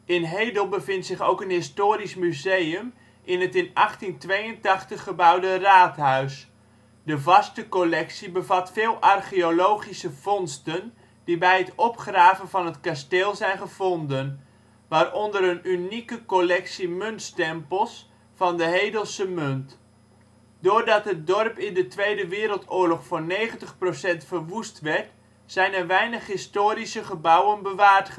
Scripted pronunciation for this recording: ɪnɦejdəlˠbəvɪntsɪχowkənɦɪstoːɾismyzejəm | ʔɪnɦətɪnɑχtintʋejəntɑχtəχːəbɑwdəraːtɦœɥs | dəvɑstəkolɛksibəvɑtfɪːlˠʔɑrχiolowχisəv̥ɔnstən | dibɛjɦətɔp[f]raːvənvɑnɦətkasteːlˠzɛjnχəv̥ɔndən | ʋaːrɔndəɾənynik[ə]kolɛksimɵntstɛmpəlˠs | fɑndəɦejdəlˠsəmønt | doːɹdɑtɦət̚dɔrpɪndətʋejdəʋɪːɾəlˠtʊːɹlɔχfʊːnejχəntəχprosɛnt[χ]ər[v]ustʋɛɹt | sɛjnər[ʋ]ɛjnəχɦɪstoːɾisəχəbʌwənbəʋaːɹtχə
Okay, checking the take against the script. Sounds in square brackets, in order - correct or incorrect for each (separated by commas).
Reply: incorrect, correct, incorrect, incorrect, correct